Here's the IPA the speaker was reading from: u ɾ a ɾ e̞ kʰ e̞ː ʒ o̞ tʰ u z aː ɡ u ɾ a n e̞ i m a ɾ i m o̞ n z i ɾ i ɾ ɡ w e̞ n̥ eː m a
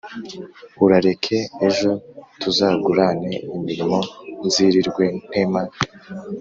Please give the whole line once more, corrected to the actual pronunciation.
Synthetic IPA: u ɾ a ɾ e̞ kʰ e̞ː ʒ o̞ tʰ u z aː ɡ u ɾ a n e̞ i m i ɾ i m o̞ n z i ɾ i ɾ ɡ w e̞ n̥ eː m a